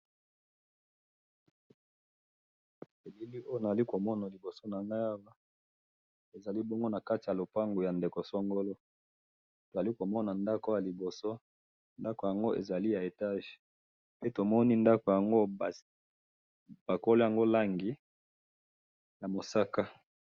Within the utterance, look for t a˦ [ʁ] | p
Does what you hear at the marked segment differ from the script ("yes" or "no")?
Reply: yes